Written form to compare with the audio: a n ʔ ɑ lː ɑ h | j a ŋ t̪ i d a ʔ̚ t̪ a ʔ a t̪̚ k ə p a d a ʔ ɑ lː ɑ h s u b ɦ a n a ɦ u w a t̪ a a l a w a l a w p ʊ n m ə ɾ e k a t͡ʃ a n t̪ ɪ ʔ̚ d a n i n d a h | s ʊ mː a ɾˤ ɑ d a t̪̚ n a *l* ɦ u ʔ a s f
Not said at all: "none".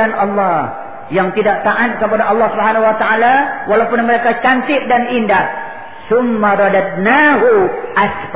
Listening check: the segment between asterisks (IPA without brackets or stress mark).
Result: none